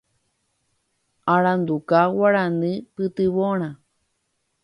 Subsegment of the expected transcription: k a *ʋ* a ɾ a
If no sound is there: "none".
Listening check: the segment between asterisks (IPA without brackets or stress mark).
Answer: w